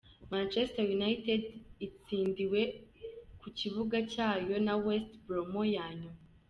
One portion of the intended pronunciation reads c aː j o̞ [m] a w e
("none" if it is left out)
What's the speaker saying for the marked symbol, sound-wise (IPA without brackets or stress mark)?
n